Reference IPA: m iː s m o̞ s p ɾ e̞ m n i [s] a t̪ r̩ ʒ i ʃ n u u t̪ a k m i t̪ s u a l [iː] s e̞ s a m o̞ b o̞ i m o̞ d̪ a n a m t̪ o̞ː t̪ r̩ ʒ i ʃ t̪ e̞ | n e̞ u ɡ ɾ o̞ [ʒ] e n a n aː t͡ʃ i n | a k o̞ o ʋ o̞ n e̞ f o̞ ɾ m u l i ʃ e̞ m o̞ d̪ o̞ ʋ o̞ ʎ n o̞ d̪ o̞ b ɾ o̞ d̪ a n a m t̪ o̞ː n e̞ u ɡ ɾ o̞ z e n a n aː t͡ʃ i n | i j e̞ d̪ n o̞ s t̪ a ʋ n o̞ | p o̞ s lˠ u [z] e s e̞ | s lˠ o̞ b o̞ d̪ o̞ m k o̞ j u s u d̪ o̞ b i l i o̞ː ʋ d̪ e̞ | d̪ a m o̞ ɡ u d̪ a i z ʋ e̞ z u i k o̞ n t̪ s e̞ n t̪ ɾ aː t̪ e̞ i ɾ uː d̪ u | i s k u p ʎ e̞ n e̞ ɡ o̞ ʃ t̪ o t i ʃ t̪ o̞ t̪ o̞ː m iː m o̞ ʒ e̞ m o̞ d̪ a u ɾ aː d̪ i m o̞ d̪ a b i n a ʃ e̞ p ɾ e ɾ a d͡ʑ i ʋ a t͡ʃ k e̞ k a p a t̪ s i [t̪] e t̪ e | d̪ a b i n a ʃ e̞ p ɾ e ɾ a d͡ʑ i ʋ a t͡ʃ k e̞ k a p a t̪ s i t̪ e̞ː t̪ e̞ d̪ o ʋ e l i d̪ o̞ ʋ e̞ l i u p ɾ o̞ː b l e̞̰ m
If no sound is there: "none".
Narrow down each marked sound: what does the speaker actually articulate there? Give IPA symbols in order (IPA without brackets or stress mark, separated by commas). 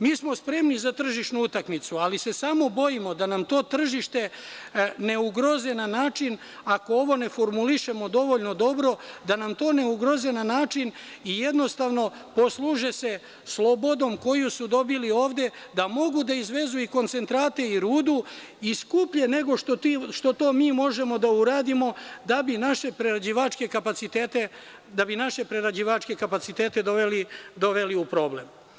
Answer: z, i, z, ʒ, t̪